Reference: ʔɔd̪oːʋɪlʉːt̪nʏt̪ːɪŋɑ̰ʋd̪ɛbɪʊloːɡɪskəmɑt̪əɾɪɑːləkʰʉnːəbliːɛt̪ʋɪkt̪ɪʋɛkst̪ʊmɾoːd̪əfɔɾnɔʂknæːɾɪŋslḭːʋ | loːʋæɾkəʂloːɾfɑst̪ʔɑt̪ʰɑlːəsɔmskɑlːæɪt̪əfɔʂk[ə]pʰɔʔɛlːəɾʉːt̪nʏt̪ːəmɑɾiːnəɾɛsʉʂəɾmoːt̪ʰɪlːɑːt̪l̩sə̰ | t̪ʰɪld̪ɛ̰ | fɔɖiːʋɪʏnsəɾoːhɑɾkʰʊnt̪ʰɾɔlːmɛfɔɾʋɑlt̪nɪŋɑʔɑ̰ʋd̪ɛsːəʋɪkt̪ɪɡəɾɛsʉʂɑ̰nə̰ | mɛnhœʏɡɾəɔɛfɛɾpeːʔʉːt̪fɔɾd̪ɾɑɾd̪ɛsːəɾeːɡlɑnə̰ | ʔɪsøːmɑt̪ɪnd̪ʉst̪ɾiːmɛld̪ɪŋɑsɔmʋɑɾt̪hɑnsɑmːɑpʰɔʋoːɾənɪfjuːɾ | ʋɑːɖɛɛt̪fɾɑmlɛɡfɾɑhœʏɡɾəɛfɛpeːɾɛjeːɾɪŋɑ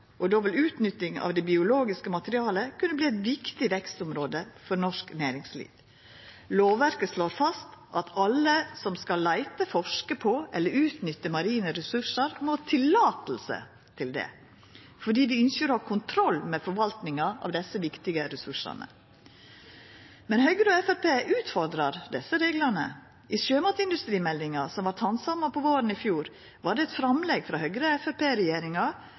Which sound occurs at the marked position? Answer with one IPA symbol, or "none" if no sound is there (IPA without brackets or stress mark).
ə